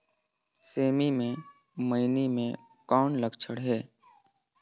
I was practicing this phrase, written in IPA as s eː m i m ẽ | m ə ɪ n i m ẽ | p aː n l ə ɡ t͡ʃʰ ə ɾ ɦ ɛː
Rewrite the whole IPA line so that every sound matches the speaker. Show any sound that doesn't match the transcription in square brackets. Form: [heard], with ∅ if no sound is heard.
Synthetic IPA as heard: s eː m i m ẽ | m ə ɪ n i m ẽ | [k] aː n l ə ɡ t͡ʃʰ ə [ɽ] ɦ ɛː